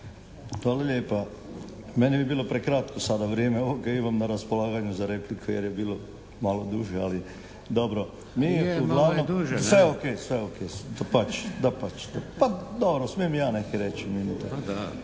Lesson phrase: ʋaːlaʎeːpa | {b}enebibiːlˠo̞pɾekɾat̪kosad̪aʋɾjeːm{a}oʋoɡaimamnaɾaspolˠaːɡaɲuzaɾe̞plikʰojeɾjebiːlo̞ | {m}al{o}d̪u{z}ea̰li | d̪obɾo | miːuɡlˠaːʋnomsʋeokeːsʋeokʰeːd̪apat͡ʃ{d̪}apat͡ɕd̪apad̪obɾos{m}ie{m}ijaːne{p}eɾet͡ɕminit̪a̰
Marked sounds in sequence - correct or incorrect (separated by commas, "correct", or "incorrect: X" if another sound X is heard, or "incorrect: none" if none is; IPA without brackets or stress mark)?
incorrect: m, incorrect: e, correct, correct, incorrect: ʒ, correct, correct, correct, incorrect: k